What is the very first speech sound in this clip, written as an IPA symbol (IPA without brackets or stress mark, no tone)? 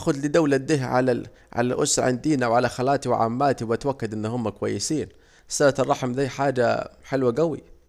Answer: x